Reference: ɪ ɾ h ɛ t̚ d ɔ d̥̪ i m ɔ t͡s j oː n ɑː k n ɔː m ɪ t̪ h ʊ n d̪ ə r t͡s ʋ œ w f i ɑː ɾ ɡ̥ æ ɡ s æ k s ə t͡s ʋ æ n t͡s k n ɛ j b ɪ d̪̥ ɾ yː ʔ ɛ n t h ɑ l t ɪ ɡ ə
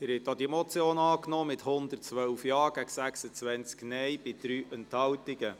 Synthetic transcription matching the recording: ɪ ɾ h ɛ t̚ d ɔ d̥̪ i m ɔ t͡s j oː n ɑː k n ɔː m ɪ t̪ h ʊ n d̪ ə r t͡s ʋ œ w f j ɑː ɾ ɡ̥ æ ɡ s æ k s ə t͡s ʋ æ n t͡s k n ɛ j b ɪ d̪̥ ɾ yː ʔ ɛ n t h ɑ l t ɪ ɡ ə